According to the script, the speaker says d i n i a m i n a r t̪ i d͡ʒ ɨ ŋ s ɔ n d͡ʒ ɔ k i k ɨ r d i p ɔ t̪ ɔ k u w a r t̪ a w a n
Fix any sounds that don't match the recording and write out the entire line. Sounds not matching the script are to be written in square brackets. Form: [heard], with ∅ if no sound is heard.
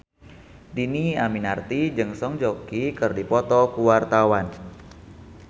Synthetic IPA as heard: d i n i a m i n a r t̪ i d͡ʒ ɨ ŋ s ɔ [ŋ] d͡ʒ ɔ k i k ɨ r d i p ɔ t̪ ɔ k u w a r t̪ a w a n